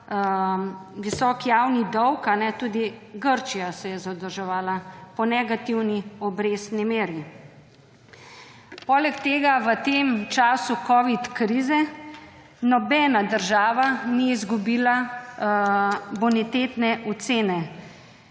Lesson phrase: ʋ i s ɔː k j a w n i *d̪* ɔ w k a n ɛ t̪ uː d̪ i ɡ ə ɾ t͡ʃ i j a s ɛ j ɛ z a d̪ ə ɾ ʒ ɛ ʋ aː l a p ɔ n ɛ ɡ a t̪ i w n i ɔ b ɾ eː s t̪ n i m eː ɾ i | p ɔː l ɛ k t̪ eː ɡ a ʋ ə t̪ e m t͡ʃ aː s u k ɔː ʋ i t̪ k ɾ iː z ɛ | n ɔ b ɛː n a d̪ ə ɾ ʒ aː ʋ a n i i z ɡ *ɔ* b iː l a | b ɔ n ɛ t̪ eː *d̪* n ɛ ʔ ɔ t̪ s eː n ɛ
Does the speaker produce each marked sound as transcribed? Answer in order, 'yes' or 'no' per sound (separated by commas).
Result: yes, no, no